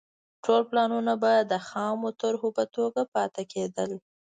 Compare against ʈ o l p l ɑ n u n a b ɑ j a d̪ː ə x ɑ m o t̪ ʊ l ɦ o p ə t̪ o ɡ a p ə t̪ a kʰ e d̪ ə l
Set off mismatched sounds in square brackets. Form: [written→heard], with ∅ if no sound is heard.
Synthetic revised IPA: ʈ o l p l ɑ n u n a b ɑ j a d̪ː ə x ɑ m o t̪ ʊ [l→ɾ] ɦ o p ə t̪ o ɡ a p [ə→ɑ] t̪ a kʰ e d̪ ə l